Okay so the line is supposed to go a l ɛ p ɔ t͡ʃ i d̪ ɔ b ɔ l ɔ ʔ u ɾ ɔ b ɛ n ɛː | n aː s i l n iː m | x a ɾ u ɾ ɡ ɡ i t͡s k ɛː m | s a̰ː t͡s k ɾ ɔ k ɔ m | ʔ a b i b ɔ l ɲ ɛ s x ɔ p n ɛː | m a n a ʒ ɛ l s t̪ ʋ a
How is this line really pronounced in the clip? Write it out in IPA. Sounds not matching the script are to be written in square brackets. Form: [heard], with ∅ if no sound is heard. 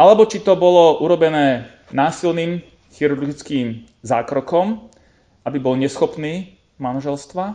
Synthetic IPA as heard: a l ɛ [b] ɔ t͡ʃ i [t̪] ɔ b ɔ l ɔ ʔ u ɾ ɔ b ɛ n ɛː | n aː s i l n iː m | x [i] ɾ u ɾ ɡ ɡ i t͡s k [iː] m | [z] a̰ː [∅] k ɾ ɔ k ɔ m | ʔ a b i b ɔ l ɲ ɛ s x ɔ p n [iː] | m a n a ʒ ɛ l s t̪ ʋ a